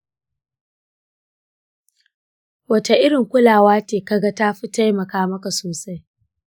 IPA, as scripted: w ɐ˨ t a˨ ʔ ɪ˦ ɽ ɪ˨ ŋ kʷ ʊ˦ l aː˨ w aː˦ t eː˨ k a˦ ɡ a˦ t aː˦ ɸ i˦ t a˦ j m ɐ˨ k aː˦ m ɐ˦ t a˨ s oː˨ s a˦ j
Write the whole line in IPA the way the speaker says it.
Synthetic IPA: w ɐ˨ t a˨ ʔ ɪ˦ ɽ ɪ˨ ŋ kʷ ʊ˦ l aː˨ w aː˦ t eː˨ k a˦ ɡ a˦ t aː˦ ɸ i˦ t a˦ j m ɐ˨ k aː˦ m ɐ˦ k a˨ s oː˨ s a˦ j